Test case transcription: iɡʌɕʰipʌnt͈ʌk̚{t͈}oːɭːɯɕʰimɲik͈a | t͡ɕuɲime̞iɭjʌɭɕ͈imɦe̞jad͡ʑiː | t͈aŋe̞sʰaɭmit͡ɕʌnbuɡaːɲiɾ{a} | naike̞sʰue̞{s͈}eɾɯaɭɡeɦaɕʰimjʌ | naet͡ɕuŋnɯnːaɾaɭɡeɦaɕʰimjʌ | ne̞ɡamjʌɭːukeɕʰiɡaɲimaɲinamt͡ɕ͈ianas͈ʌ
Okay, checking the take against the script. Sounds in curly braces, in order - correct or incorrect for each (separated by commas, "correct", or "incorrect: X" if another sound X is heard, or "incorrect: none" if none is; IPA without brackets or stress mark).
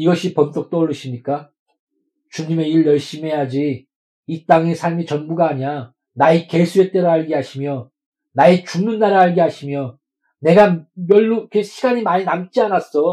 correct, correct, incorrect: t͈